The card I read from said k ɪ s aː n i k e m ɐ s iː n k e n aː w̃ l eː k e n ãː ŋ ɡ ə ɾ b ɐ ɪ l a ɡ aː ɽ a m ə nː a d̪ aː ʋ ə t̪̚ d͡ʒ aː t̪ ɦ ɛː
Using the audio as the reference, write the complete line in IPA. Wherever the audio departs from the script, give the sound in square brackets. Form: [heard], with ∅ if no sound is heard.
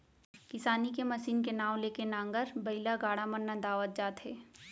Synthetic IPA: k ɪ s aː n i k e m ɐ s iː n k e n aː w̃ l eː k e n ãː ŋ ɡ ə ɾ b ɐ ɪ l a ɡ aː ɽ a m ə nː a d̪ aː ʋ ə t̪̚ d͡ʒ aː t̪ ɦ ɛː